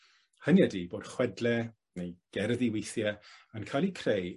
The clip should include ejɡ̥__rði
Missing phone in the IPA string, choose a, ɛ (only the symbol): ɛ